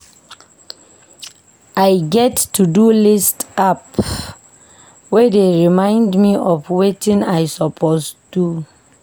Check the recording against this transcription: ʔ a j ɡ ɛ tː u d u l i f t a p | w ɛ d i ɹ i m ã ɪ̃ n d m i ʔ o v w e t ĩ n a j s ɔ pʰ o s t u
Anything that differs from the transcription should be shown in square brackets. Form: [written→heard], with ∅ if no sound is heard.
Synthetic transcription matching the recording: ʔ a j ɡ ɛ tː u d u l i [f→s] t a p | w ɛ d [i→e] ɹ i m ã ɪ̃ n d m i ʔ [o→ɔ] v w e t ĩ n a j s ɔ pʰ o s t u